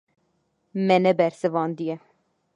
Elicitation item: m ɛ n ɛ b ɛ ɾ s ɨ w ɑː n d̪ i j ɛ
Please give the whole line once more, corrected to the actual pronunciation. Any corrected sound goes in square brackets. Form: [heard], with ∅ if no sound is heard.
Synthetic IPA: m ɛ n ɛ b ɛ ɾ s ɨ [v] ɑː n d̪ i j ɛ

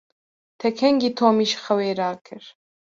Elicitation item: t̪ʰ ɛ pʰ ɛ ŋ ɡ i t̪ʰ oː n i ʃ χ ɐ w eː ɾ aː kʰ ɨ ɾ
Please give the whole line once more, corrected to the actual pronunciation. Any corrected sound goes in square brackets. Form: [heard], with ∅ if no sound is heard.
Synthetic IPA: t̪ʰ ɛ [kʰ] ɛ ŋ ɡ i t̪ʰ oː [m] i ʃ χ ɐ w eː ɾ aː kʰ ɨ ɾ

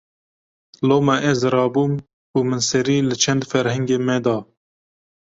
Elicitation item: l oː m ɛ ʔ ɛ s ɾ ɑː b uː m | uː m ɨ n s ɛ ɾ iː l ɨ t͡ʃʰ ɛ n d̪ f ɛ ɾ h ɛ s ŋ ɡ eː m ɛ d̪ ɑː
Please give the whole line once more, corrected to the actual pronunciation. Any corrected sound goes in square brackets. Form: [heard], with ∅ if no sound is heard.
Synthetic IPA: l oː m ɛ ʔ ɛ [z] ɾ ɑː b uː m | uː m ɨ n s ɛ ɾ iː l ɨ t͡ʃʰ ɛ n d̪ f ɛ ɾ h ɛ [∅] ŋ ɡ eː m ɛ d̪ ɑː

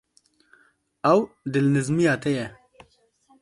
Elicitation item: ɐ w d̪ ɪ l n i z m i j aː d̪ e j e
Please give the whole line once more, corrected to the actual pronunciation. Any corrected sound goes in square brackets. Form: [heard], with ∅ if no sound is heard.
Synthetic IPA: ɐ w d̪ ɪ l n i z m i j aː [t̪] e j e

